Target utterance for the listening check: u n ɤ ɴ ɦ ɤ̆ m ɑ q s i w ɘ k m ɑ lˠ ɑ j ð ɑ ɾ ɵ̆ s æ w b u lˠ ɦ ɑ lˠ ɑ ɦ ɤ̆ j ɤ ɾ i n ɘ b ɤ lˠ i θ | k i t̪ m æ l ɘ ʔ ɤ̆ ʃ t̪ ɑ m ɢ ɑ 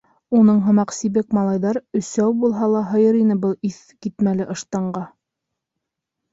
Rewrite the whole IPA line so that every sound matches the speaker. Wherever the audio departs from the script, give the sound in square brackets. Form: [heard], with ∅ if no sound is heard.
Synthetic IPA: u n ɤ ɴ ɦ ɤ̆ m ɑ q s i [β] ɘ k m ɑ lˠ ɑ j ð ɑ ɾ ɵ̆ s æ w b u lˠ ɦ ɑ lˠ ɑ ɦ ɤ̆ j ɤ ɾ i n ɘ b ɤ lˠ i θ | k i t̪ m æ l ɘ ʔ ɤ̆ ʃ t̪ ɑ [ɴ] ɢ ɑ